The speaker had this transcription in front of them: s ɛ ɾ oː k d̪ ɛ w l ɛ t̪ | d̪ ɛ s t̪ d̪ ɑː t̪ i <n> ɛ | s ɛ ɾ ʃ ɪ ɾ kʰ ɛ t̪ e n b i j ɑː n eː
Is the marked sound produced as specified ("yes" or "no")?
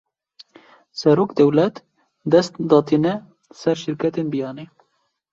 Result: yes